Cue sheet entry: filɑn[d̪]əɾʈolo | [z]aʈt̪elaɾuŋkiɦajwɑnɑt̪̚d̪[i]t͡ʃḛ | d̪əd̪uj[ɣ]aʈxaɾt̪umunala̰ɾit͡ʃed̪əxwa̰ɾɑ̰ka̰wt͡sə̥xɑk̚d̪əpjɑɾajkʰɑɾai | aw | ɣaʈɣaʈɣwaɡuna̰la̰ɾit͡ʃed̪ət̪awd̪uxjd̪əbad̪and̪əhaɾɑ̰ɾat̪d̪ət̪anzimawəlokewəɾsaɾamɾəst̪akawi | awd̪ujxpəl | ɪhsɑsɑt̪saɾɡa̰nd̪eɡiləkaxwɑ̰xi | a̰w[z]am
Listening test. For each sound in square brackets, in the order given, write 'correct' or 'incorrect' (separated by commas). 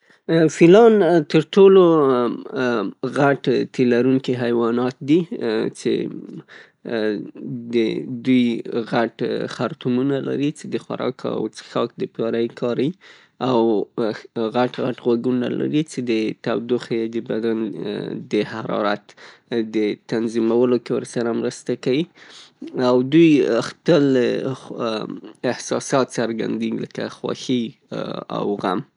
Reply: incorrect, incorrect, correct, correct, incorrect